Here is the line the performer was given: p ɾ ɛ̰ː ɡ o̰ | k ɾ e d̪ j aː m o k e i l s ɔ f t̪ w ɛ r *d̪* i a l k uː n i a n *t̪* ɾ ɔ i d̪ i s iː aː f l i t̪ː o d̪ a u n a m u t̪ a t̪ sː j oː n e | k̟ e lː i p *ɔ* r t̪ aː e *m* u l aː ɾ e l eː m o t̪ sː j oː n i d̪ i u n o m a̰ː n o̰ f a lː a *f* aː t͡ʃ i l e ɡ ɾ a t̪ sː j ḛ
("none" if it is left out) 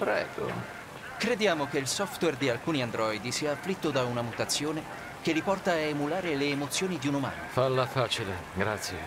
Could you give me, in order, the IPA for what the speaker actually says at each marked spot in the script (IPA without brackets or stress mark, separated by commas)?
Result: d̪, d̪, ɔ, m, f